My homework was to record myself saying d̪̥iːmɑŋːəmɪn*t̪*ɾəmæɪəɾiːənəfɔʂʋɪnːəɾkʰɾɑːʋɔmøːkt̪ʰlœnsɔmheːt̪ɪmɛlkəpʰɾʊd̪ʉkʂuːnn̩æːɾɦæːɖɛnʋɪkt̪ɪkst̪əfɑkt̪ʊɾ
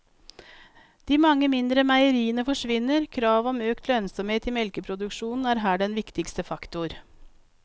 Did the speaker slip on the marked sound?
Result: yes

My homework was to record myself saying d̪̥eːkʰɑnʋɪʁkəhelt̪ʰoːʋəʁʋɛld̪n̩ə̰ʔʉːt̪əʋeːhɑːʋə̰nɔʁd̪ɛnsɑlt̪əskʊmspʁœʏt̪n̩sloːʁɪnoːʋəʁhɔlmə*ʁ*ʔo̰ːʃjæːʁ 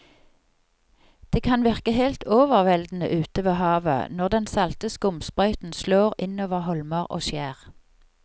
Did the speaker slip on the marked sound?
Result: no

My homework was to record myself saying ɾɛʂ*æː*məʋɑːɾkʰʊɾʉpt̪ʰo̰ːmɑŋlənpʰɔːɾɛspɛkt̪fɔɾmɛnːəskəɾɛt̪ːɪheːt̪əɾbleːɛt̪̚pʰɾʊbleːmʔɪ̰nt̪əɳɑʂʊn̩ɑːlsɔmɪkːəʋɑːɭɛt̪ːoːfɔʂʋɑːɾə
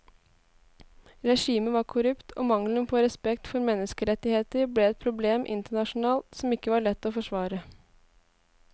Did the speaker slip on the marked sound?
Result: yes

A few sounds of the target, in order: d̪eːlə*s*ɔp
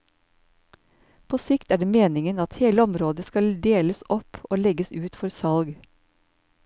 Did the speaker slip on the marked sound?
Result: no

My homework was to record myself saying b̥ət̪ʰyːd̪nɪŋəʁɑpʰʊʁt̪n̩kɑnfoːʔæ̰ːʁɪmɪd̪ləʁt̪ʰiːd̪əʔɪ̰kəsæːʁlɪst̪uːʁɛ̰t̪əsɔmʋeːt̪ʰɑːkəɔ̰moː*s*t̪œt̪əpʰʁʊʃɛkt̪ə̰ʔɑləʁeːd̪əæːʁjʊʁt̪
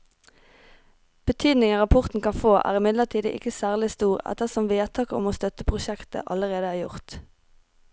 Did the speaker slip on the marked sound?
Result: no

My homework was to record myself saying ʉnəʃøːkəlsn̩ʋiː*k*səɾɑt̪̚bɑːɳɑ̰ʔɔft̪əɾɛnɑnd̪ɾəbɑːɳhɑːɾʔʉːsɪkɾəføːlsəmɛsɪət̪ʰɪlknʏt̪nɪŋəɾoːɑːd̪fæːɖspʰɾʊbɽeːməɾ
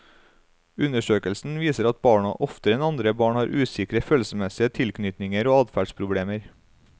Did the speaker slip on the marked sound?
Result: yes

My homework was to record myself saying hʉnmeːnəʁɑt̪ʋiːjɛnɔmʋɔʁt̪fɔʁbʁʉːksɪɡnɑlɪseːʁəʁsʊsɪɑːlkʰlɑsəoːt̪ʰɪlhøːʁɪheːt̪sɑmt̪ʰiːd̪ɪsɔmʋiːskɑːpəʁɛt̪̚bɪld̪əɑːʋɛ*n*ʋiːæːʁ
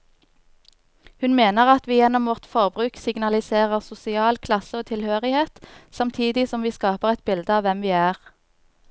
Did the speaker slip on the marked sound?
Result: yes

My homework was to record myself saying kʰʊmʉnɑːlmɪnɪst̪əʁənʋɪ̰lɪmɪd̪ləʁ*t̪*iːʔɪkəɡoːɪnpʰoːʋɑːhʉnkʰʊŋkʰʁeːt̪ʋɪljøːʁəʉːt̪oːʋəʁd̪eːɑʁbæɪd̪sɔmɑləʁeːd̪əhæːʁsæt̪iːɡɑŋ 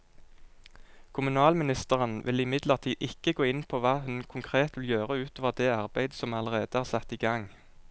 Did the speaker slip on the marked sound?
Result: yes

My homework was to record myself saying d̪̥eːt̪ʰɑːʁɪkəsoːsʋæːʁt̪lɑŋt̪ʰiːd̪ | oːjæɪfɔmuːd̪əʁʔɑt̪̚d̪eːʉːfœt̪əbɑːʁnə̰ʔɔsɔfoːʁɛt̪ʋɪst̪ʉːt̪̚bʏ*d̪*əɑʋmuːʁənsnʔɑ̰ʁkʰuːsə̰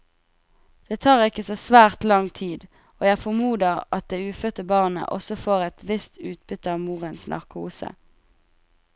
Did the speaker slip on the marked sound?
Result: yes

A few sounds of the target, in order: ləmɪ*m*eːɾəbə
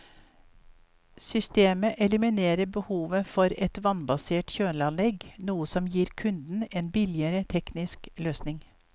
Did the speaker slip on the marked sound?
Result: yes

